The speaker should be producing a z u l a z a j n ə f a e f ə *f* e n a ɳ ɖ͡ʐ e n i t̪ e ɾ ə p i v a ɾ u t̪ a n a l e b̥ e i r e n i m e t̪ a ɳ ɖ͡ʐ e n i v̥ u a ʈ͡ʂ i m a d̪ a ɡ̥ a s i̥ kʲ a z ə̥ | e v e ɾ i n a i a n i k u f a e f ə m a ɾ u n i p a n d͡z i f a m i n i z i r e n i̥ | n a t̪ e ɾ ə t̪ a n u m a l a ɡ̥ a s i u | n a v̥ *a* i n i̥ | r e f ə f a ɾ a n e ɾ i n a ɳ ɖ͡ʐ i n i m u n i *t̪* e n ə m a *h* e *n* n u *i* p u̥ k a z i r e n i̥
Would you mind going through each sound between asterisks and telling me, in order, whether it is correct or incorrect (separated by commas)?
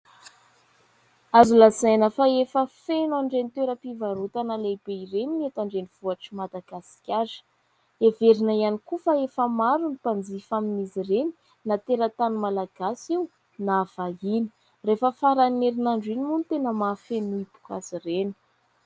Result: correct, correct, correct, incorrect, correct, correct